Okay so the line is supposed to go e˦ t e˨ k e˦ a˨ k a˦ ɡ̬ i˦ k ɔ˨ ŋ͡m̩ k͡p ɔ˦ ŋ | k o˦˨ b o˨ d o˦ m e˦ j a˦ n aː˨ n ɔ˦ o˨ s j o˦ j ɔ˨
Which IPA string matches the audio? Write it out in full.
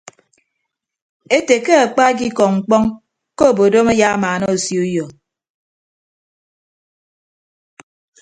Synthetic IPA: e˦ t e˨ k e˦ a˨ k͡p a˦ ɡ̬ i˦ k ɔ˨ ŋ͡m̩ k͡p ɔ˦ ŋ | k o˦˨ b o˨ d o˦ m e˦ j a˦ m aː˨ n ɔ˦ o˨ s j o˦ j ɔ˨